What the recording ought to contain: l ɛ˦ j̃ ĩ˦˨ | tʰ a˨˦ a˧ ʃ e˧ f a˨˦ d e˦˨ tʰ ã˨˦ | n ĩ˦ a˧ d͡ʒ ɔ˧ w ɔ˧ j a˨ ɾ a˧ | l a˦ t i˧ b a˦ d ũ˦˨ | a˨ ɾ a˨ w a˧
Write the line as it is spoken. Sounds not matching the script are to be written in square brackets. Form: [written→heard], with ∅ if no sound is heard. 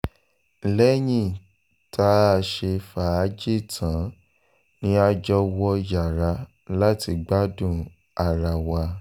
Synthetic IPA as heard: l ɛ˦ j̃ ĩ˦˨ | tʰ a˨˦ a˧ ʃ e˧ f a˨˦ [d→d͡ʒ] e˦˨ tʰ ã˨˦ | n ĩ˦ a˧ d͡ʒ ɔ˧ w ɔ˧ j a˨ ɾ a˧ | l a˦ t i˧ [b→ɡ͡b] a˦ d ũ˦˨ | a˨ ɾ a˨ w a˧